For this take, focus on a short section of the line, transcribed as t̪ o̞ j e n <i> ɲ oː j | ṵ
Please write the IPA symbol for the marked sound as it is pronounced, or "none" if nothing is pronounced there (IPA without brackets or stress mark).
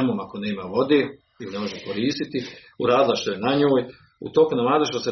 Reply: a